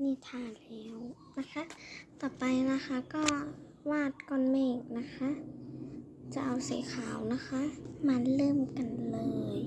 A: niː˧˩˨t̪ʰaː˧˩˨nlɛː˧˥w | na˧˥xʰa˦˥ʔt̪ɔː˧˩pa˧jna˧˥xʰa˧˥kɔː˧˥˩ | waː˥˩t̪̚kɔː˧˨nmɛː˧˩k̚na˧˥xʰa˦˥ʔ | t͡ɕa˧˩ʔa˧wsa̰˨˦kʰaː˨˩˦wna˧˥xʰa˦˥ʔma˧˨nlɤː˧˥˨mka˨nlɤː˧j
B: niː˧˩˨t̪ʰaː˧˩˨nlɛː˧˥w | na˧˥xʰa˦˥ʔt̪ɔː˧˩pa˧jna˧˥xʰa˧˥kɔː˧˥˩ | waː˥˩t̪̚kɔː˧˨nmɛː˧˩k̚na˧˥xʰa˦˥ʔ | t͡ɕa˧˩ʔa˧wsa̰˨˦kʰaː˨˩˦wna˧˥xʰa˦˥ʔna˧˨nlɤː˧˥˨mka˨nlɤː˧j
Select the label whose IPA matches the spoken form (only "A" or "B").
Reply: A